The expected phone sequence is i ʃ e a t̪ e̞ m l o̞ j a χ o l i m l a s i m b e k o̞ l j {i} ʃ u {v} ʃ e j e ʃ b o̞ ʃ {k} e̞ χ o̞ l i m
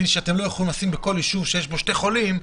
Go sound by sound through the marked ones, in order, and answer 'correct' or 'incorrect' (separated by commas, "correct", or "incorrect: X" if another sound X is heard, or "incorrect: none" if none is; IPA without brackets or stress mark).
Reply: correct, correct, incorrect: t